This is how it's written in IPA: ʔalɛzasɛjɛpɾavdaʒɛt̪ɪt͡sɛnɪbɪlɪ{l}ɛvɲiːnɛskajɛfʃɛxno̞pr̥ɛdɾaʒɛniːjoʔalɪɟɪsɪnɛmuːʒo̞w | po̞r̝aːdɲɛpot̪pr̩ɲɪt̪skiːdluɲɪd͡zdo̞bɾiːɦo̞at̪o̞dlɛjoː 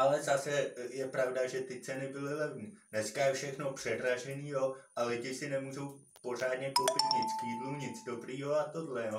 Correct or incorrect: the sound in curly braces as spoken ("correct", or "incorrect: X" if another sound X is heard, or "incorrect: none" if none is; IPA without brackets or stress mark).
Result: correct